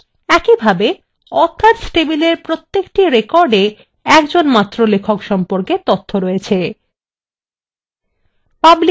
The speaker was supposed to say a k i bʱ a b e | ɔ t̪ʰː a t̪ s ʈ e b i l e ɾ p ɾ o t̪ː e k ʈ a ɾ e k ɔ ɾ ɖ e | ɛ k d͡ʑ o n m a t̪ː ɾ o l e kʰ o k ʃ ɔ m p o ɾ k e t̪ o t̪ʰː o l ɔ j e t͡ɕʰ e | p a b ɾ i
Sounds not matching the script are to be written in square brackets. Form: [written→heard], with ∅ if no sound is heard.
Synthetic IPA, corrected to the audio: [a→ɛ] k i bʱ a b e | ɔ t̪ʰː a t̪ s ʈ e b i l e ɾ p ɾ o t̪ː e k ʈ [a→i] ɾ e k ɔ ɾ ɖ e | ɛ k d͡ʑ o n m a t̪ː ɾ o l e kʰ o k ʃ ɔ m p o ɾ k e t̪ o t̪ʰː o [l→ɾ] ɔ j e t͡ɕʰ e | p a b [ɾ→l] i